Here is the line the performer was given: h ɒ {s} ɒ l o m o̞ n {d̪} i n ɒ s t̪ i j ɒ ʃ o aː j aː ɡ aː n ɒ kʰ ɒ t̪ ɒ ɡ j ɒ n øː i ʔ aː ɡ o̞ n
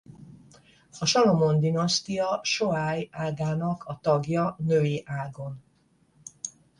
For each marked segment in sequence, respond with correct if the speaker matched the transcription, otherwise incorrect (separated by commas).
incorrect, correct